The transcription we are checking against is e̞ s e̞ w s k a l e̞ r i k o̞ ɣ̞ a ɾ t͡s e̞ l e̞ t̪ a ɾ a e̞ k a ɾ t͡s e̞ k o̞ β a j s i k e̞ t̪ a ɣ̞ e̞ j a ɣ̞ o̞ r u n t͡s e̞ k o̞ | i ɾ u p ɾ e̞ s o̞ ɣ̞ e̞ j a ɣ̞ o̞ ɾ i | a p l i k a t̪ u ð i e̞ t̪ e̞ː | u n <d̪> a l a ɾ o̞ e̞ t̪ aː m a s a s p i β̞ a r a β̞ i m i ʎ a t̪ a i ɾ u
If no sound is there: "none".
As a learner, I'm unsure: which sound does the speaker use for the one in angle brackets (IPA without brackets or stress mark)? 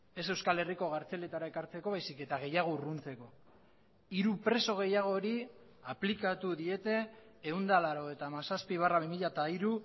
d̪